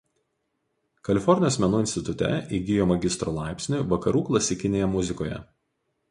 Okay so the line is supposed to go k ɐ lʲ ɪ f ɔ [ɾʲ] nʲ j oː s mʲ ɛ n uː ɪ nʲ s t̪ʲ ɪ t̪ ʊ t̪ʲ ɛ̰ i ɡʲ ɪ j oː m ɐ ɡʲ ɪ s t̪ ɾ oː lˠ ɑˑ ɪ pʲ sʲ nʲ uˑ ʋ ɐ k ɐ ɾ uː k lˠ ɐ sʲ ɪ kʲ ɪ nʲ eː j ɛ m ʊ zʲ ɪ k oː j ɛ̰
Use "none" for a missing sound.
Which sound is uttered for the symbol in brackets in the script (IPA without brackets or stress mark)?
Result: ɾʲ